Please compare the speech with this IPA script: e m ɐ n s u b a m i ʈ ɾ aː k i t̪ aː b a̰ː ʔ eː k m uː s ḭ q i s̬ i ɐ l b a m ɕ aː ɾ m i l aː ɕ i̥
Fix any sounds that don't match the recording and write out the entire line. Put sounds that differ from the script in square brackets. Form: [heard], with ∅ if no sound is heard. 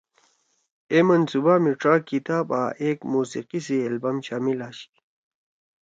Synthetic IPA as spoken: e m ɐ n s u b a m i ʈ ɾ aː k i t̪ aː b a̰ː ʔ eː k m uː s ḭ q i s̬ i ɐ l b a m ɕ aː [∅] m i l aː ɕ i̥